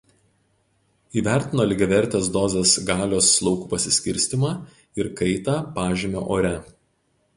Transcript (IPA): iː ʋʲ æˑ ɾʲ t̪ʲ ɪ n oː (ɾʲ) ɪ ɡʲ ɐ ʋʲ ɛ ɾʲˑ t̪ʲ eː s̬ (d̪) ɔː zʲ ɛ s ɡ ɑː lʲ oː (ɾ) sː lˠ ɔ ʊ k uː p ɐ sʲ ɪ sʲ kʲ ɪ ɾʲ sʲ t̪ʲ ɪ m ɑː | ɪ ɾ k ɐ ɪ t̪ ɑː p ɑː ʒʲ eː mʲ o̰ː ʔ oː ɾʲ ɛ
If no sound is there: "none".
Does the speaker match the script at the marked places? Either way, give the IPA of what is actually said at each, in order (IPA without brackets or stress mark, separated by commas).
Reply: lʲ, d̪, none